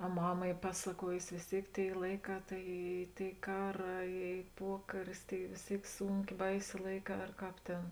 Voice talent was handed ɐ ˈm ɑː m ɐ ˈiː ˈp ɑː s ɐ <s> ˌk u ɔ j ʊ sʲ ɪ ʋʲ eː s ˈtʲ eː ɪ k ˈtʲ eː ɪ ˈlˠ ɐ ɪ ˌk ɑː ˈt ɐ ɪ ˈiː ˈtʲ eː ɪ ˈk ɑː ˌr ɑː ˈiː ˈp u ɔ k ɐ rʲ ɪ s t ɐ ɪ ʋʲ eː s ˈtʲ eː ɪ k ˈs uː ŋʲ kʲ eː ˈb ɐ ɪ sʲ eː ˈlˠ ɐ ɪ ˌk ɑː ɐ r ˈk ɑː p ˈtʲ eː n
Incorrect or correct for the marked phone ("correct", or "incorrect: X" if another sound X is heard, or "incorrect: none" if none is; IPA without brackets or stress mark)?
incorrect: none